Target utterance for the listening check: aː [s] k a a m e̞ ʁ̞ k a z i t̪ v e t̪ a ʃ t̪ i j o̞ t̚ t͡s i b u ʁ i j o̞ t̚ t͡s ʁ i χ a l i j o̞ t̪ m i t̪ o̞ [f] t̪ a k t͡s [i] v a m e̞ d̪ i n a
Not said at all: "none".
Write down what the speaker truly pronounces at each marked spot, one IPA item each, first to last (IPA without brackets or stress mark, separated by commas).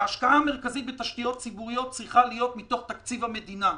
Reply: ʃ, χ, i